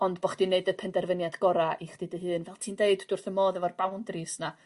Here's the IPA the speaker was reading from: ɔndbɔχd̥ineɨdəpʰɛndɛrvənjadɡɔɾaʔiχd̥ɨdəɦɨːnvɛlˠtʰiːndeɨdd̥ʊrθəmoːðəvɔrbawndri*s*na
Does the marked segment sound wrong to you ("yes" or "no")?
no